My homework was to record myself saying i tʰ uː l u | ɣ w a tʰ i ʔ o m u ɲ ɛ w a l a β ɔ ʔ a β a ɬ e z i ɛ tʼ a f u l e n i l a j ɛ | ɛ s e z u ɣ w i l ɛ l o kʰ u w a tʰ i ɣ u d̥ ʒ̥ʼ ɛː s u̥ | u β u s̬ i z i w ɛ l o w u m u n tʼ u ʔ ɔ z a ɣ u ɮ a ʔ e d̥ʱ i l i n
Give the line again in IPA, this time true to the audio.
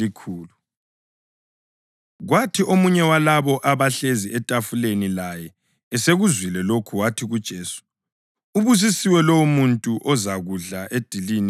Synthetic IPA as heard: i kʰ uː l u | ɣ w a tʰ i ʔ o m u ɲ ɛ w a l a β ɔ ʔ a β a ɬ e z i ɛ tʼ a f u l e n i l a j ɛ | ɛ s e ɣ u z w i l ɛ l o kʰ u w a tʰ i ɣ u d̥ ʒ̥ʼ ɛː s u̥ | u β u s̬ i s i w ɛ l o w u m u n tʼ u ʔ ɔ z a ɣ u ɮ a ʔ e d̥ʱ i l i n